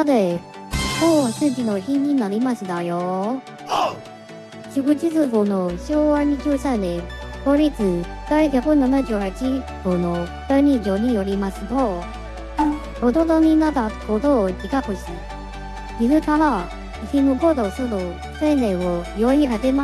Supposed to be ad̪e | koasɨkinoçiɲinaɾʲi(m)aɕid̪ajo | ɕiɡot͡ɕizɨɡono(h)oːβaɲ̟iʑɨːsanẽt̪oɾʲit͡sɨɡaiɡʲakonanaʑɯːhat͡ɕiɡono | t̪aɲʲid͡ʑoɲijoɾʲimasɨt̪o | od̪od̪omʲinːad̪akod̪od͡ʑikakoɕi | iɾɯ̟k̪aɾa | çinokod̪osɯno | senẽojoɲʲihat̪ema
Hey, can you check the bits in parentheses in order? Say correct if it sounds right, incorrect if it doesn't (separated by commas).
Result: correct, incorrect